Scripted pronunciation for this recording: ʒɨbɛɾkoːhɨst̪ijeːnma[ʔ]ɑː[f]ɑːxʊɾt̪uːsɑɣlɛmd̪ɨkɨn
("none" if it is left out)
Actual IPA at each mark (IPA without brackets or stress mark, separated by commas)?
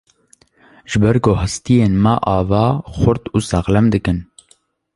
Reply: ʔ, v